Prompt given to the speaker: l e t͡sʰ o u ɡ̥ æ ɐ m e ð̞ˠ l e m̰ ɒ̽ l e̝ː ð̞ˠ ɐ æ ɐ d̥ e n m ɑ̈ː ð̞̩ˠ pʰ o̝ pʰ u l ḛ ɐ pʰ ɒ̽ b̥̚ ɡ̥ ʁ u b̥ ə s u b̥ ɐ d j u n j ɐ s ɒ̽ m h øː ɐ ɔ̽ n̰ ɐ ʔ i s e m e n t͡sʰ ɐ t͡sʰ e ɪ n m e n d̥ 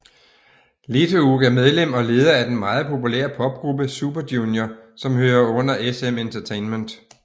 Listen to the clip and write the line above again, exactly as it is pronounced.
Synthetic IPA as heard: l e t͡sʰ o u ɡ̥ æ ɐ m e ð̞ˠ l e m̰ ɒ̽ l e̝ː ð̞ˠ ɐ æ ɐ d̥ e n m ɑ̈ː ð̞̩ˠ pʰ o̝ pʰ u l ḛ ɐ pʰ ɒ̽ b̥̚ ɡ̥ ʁ u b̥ ə s u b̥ ɐ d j u n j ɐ s ɒ̽ m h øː ɐ ɔ̽ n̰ ɐ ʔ e s e m e n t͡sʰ ɐ t͡sʰ e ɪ n m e n d̥